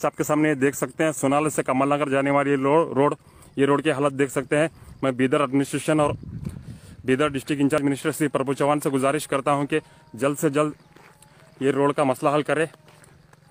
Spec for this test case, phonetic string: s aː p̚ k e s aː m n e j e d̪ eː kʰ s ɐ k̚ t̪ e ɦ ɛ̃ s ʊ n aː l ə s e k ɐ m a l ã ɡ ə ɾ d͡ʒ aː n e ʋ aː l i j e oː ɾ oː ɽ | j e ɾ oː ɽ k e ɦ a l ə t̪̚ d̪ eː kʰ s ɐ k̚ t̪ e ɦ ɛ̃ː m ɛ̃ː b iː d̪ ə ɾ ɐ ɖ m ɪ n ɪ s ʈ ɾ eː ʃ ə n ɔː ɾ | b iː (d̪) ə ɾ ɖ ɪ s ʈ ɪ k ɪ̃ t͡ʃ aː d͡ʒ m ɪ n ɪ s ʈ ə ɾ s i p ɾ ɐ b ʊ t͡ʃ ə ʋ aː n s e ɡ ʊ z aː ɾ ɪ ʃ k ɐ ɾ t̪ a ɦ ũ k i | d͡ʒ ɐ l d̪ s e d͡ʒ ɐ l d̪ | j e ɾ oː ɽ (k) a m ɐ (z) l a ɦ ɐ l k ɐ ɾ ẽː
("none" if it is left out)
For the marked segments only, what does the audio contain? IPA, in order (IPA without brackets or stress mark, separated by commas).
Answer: d̪, k, s